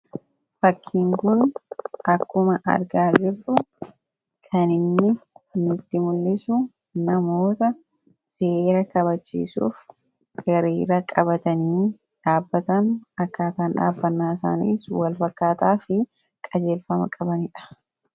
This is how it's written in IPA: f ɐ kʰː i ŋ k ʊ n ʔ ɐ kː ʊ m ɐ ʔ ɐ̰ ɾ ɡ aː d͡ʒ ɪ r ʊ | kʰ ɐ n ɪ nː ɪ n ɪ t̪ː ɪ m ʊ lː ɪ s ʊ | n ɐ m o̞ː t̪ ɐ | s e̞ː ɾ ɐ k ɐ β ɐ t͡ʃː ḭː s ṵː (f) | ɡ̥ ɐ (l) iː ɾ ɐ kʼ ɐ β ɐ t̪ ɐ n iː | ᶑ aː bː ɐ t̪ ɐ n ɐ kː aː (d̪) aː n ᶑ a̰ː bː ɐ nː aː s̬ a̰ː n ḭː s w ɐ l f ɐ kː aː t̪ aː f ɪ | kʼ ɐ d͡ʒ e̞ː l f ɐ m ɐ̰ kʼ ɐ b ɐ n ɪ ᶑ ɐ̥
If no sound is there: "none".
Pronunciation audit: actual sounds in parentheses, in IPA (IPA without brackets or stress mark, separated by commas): f, ɾ, t̪